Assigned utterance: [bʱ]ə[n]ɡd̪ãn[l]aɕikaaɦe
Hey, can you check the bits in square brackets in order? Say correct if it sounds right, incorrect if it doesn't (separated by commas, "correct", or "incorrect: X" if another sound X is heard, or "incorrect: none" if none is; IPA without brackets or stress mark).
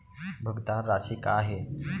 correct, incorrect: none, incorrect: ɾ